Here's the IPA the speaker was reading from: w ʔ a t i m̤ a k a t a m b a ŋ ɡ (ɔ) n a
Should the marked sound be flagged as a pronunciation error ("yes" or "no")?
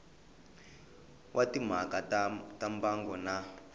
no